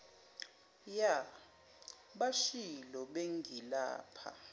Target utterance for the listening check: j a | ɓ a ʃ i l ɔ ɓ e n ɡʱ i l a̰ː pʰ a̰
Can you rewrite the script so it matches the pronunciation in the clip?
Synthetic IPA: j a | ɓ a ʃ i l ɔ ɓ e ŋ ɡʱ i l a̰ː pʰ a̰